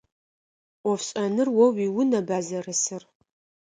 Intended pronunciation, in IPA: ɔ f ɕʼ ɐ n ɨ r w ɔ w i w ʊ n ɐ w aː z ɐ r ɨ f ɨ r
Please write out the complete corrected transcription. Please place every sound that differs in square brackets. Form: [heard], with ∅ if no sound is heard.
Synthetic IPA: ɔ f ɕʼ ɐ n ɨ r w ɔ w i w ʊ n ɐ [b] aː z ɐ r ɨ [s] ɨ r